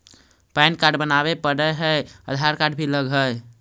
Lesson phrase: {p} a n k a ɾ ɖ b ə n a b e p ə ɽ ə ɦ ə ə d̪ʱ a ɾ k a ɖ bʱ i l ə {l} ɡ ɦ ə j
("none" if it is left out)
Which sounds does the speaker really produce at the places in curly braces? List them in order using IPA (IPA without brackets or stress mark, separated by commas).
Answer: p, none